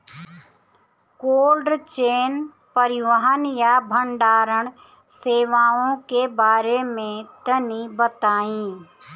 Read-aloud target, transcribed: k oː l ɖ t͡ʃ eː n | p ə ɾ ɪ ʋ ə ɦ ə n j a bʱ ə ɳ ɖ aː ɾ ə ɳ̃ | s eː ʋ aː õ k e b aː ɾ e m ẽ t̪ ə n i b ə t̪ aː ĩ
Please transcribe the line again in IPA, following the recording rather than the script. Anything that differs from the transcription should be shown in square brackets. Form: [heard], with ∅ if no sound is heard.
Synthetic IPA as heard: k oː l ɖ t͡ʃ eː n | p ə ɾ ɪ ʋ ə ɦ ə n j a bʱ ə ɳ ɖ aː ɾ ə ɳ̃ | s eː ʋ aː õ k e b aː ɾ e m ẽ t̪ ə n i b ə t̪ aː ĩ

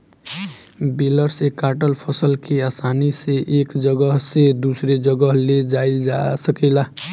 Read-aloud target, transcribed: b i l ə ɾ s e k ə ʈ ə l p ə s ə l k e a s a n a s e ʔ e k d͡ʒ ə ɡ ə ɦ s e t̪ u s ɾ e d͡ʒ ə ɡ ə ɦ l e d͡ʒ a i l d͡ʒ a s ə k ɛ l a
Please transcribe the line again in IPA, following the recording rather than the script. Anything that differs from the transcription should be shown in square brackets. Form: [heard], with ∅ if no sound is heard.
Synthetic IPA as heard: b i l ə ɾ s e k [a] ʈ ə l [pʰ] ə s ə l k e a s a n [i] s e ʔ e k d͡ʒ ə ɡ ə ɦ s e [d̪] u s ɾ e d͡ʒ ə ɡ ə ɦ l e d͡ʒ a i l d͡ʒ a s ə k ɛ l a

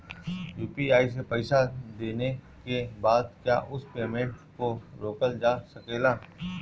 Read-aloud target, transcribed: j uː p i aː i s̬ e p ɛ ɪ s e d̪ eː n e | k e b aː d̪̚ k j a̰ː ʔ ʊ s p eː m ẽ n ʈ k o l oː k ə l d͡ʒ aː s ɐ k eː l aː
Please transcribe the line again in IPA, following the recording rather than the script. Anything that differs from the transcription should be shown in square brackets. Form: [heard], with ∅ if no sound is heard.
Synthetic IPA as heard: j uː p i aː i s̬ e p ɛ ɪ s [a] d̪ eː n e | k e b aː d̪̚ k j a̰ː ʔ ʊ s p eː m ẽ [ɳ] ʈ k o [ɾ] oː k ə l d͡ʒ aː s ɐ k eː l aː

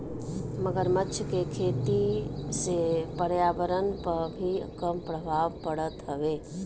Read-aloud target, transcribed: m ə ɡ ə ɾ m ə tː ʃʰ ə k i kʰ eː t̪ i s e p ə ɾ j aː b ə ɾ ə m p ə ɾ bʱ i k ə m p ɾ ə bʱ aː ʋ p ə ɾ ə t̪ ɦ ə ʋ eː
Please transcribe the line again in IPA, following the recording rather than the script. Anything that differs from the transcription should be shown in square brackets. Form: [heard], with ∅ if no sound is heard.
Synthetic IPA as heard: m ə ɡ ə ɾ m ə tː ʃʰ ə k [e] kʰ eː t̪ i s e p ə ɾ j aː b ə ɾ ə [n] p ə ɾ bʱ i k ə m p ɾ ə bʱ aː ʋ p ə [ɽ] ə t̪ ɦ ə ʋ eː

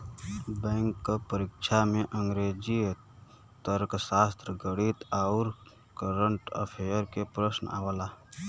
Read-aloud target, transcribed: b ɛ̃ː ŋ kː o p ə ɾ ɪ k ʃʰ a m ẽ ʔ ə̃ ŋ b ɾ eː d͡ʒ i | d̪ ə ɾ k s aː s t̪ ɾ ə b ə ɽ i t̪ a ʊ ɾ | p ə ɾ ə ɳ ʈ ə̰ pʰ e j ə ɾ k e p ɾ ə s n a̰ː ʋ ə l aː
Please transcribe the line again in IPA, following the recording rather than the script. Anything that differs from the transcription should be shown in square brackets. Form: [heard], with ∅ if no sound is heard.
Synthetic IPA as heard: b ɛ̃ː ŋ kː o p ə ɾ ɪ k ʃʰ a m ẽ ʔ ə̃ ŋ [ɡ] ɾ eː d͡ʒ i | [t̪] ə ɾ k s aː s t̪ ɾ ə [ɡ] ə ɽ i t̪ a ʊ ɾ | [k] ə ɾ ə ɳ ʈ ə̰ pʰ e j ə ɾ k e p ɾ ə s n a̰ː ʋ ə l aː

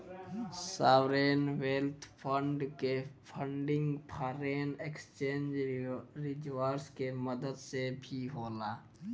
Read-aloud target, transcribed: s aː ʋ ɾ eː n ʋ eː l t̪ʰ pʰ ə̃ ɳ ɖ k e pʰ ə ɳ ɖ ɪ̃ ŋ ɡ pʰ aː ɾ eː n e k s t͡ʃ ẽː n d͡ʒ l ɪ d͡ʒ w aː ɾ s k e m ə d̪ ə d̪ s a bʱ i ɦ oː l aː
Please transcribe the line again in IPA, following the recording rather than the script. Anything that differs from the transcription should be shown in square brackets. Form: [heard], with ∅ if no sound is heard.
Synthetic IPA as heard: s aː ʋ ɾ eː n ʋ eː l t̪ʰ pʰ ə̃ ɳ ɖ k e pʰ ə ɳ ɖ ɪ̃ ŋ ɡ pʰ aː ɾ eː n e k s t͡ʃ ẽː n d͡ʒ [ɾ] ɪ d͡ʒ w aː ɾ s k e m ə d̪ ə d̪ s [e] bʱ i ɦ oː l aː

